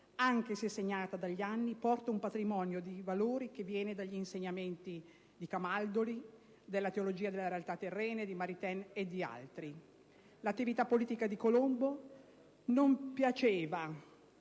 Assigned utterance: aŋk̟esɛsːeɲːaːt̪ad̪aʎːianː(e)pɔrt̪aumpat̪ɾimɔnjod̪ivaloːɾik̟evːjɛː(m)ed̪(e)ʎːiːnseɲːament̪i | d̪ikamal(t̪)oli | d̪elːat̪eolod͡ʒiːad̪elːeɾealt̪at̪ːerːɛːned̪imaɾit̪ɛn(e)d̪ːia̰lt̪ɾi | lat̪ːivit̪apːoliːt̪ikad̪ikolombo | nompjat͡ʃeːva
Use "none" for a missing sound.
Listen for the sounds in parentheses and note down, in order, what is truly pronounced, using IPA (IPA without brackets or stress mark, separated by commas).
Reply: i, n, a, d̪, e